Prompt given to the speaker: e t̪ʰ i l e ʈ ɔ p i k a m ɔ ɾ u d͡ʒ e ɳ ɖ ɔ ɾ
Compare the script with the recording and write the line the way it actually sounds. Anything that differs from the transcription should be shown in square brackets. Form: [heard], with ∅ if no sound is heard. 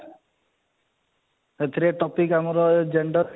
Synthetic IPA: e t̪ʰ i [ɾ] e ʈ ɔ p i k a m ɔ ɾ [ɔ] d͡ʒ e ɳ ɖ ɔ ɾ